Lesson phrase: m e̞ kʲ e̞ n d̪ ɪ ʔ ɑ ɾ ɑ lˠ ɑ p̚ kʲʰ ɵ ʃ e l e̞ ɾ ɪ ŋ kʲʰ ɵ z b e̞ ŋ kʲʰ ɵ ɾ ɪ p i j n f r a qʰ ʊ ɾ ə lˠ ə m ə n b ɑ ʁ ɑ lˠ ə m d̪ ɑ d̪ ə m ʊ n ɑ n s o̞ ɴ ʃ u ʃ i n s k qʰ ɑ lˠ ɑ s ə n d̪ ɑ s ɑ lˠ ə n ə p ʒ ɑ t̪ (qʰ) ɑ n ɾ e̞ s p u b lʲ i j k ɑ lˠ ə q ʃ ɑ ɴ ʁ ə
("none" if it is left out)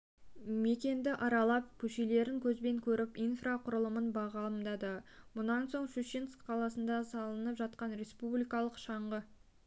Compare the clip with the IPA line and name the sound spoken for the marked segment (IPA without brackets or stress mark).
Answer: q